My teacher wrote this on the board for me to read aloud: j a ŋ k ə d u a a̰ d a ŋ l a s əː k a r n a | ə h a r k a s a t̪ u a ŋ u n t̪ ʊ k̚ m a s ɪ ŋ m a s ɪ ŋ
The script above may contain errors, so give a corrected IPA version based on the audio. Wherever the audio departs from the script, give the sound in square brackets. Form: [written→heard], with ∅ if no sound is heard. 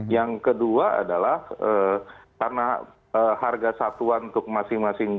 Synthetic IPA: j a ŋ k ə d u a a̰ d a [ŋ→∅] l a [s→h] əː k a r n a | ə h a r [k→ɡ] a s a t̪ u a [ŋ→n] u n t̪ ʊ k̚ m a s ɪ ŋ m a s ɪ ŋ